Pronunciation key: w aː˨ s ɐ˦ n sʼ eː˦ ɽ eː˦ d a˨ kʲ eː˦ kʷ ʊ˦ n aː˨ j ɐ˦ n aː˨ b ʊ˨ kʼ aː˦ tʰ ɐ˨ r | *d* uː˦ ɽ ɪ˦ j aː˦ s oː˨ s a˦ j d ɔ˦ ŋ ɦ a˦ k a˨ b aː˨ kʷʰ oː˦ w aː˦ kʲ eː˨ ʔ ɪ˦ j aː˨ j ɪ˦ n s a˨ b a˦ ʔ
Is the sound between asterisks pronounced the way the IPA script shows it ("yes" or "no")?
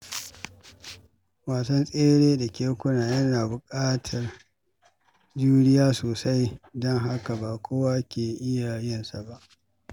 no